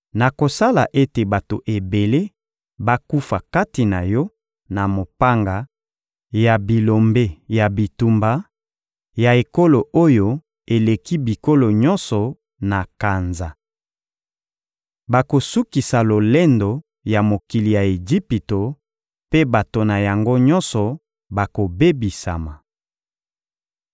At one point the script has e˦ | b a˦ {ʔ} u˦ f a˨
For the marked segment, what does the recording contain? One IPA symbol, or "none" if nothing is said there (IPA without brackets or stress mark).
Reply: k